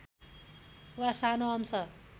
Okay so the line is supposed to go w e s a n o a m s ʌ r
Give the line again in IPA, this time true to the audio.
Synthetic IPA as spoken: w a s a n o ʌ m s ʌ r